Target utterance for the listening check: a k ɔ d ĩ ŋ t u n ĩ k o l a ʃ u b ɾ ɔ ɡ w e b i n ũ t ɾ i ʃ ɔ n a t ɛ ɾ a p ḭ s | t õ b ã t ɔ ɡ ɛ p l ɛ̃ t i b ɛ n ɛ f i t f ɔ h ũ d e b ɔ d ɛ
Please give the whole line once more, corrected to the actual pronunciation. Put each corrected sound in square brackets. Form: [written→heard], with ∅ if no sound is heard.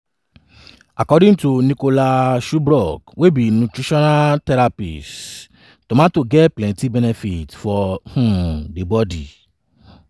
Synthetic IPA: a k ɔ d ĩ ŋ t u n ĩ k o l a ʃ u b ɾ ɔ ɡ w e b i n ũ t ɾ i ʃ ɔ n a t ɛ ɾ a p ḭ s | t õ [b→m] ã t [ɔ→o] ɡ ɛ p l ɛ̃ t i b ɛ n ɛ f i t f ɔ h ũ d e b ɔ d [ɛ→i]